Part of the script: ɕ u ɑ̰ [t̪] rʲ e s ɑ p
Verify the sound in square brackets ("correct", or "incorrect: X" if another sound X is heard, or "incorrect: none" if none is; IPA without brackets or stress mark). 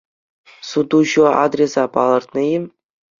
incorrect: d̪